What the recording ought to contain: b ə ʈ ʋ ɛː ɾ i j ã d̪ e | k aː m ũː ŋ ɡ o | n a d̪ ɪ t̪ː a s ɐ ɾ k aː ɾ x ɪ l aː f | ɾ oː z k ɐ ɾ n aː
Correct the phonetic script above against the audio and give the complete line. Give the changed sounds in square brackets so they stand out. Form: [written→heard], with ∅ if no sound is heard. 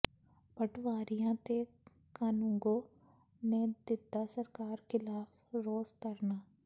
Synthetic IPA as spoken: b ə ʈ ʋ [ɛː→aː] ɾ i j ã [d̪→t̪] e | k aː [m→n] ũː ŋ ɡ o | n [a→e] d̪ ɪ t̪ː a s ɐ ɾ k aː ɾ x ɪ l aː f | ɾ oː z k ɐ ɾ n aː